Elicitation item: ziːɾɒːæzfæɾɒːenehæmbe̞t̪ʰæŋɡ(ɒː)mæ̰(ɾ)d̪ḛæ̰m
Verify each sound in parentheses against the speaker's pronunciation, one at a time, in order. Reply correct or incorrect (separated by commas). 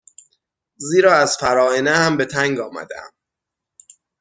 correct, incorrect